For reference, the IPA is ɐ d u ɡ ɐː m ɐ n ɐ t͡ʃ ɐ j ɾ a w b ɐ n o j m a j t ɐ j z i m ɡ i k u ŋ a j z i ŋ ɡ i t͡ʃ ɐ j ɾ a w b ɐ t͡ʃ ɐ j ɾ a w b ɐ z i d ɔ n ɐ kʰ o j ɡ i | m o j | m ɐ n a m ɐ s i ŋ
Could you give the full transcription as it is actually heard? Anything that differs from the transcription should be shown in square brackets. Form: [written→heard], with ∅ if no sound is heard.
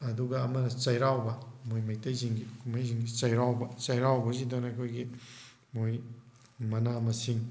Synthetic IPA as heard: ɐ d u ɡ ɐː m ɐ n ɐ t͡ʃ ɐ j ɾ a w b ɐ [n→m] o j m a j t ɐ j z i [m→ŋ] ɡ i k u [ŋ→m] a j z i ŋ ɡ i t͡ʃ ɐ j ɾ a w b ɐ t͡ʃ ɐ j ɾ a w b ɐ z i d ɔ n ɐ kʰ o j ɡ i | m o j | m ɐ n a m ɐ s i ŋ